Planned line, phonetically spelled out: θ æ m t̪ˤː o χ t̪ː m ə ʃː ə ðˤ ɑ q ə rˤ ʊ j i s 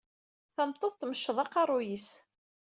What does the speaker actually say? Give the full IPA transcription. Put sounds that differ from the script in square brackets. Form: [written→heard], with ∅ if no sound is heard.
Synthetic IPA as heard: θ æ m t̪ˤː o [χ→θ] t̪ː m ə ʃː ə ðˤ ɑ q [ə→ɑ] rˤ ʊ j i s